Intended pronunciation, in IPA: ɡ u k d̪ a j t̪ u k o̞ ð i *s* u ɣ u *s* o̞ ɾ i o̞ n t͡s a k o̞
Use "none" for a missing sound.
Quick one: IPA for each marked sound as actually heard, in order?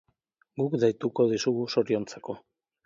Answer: s, s

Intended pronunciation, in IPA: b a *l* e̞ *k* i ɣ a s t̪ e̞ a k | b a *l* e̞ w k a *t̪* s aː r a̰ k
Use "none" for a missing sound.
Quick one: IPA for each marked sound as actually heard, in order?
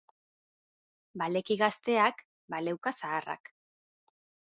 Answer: l, k, l, none

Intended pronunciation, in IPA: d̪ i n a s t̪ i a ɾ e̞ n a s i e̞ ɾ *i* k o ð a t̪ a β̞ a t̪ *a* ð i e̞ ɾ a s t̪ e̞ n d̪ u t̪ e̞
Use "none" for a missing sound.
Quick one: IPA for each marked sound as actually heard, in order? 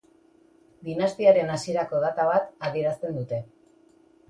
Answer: a, a

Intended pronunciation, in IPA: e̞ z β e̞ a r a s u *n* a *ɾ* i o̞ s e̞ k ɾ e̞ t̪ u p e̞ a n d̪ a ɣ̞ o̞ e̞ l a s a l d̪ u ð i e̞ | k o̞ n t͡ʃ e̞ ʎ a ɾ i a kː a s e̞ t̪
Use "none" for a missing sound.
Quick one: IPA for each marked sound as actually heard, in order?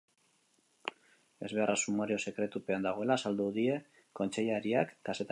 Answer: m, ɾ

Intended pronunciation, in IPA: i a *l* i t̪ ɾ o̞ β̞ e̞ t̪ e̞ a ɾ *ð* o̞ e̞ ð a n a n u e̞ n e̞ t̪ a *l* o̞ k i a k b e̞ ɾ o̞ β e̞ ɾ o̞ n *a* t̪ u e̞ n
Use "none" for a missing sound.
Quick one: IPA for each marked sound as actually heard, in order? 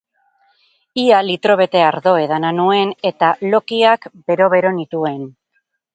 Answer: l, ð, l, i

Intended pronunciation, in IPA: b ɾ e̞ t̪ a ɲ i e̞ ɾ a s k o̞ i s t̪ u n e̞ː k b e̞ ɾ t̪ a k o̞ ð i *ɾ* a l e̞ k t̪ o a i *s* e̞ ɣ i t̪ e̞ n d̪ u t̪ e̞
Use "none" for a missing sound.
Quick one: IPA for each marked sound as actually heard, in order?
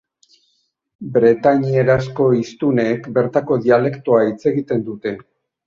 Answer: none, t͡s

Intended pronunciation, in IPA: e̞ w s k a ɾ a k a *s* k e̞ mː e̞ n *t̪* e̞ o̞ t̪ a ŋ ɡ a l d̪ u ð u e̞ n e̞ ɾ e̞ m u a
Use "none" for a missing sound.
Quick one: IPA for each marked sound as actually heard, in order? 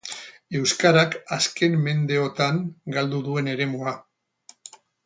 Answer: s, d̪

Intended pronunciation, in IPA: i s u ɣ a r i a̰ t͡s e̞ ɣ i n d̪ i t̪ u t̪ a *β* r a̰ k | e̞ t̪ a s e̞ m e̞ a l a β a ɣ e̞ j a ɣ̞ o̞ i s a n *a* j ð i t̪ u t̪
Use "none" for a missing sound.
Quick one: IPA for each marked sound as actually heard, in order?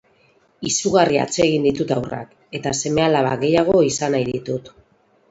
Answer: w, a

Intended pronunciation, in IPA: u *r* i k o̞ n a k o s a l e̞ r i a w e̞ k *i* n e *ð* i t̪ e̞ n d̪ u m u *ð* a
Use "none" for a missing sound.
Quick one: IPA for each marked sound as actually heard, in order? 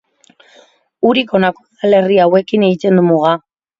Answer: ɾ, i, ɣ, ɣ

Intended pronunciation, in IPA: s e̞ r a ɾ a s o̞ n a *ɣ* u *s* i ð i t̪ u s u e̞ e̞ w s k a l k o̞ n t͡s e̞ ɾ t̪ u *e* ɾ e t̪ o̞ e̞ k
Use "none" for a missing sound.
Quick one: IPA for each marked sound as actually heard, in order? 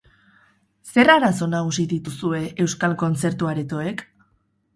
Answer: ɣ, s, a

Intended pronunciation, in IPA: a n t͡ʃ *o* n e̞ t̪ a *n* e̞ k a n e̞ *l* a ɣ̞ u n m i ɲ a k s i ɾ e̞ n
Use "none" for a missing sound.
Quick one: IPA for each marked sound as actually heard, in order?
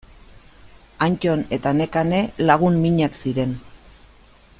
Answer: o, n, l

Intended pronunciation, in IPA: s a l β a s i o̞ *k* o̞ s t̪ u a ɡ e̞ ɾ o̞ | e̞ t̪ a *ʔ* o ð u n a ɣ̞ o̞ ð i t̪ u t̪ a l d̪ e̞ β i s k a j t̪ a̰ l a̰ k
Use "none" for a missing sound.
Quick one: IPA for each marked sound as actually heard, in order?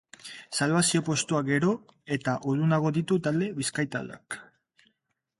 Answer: p, ʔ

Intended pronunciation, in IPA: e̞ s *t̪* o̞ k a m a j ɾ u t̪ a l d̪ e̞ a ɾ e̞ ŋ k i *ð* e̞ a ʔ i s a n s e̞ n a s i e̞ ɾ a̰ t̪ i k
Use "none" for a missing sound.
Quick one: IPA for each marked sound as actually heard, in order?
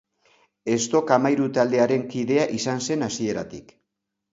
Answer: t̪, ð

